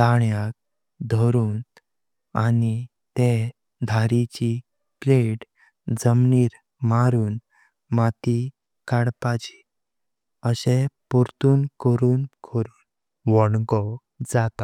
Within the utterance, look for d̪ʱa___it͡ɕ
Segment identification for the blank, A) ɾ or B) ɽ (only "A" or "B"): A